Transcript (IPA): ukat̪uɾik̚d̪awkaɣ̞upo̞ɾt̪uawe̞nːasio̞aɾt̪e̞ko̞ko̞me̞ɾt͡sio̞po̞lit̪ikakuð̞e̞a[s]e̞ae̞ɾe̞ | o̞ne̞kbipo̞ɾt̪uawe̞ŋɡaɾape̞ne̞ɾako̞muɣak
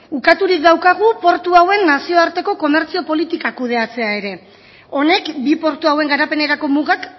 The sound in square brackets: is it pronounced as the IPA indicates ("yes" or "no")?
no